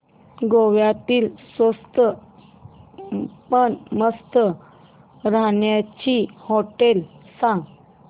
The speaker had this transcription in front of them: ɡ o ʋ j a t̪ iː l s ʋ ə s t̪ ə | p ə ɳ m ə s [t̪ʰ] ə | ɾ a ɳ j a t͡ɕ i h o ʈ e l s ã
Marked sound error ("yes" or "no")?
yes